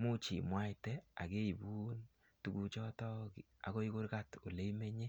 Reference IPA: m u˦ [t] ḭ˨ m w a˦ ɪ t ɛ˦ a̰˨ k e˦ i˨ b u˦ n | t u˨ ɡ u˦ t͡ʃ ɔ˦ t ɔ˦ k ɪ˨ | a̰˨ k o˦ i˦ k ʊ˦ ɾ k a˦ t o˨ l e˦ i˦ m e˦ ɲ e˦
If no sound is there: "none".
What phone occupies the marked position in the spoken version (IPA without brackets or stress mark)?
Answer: t͡ʃ